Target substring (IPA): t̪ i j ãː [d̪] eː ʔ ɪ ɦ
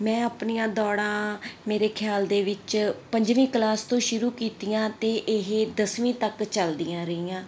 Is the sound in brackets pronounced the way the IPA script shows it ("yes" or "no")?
no